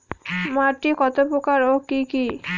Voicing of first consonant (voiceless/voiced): voiced